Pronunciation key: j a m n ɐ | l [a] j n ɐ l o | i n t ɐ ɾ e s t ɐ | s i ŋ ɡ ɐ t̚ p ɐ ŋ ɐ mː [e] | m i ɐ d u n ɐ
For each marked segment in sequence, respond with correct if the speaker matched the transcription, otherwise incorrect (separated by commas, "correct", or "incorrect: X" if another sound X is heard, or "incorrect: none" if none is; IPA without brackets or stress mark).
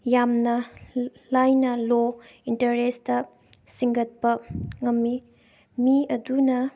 correct, incorrect: i